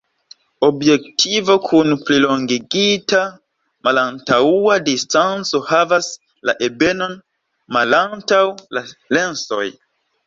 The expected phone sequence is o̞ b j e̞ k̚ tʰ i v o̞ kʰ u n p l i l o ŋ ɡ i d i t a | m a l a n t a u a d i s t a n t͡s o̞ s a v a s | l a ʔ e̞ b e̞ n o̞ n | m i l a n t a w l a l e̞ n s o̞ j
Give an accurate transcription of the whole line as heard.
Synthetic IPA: o̞ b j e̞ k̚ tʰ i v o̞ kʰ u n p l i l o ŋ ɡ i ɡ i t a | m a l a n t a u a d i s t a n t͡s o̞ h a v a s | l a ʔ e̞ b e̞ n o̞ n | m a l a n t a w l a l e̞ n s o̞ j